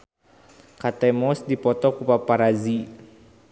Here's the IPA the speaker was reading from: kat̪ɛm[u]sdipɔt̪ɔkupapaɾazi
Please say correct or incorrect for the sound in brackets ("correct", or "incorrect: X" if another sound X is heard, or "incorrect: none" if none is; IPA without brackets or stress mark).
incorrect: ɔ